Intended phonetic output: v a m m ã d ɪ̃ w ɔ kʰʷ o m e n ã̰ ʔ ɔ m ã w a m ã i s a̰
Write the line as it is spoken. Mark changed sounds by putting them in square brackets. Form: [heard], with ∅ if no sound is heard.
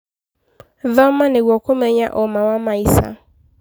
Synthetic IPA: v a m m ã [n] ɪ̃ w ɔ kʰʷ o m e [ɲ] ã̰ ʔ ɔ m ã w a m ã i s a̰